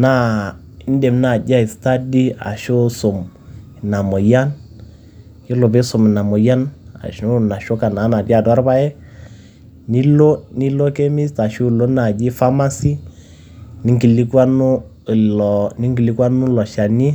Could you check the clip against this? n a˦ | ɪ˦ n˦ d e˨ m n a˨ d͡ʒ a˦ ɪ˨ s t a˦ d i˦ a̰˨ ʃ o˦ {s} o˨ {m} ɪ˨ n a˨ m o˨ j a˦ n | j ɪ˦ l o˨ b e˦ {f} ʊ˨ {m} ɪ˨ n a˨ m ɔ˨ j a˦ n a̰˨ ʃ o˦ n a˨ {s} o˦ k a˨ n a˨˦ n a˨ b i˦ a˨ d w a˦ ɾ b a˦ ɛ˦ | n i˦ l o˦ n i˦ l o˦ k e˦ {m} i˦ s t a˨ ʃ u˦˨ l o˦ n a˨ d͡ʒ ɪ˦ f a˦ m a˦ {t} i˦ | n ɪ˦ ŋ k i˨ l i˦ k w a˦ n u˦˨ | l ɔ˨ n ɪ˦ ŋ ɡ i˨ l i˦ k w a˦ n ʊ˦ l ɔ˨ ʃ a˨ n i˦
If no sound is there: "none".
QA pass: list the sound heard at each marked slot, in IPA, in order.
s, m, s, m, ʃ, m, s

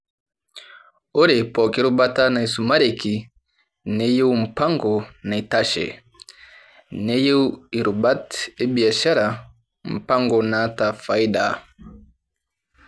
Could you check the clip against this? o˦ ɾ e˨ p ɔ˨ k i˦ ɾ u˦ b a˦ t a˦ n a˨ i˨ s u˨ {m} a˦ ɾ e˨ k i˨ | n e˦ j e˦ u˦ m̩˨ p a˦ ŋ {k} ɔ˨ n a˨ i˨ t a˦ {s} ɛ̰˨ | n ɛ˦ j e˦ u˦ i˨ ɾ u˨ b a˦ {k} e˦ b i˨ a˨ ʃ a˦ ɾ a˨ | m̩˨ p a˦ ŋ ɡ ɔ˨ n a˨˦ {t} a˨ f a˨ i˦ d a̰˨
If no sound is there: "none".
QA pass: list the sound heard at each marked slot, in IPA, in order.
m, ɡ, ʃ, t, t

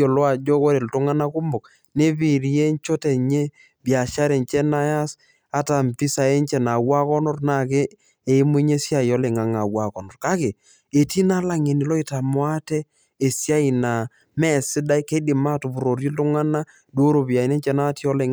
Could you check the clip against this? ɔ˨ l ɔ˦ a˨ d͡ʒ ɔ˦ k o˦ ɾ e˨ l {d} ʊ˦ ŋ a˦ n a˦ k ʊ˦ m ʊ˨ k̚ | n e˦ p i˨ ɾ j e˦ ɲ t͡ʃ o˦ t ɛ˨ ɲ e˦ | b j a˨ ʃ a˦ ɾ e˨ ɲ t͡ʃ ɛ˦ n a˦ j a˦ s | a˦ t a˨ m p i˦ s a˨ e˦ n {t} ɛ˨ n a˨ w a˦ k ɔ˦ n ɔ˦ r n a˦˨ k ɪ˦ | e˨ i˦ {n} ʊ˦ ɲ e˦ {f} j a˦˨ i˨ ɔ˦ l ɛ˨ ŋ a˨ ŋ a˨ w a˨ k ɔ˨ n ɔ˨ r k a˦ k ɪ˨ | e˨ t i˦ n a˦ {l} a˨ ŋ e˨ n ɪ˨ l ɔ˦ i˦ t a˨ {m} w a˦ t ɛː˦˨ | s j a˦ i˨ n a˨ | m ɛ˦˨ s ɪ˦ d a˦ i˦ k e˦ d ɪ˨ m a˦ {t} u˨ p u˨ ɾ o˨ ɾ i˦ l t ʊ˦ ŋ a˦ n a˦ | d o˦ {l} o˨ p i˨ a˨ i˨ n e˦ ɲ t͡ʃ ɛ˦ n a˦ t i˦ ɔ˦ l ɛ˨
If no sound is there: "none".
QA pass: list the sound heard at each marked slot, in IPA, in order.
t, t͡ʃ, m, s, l, m, t, ɾ

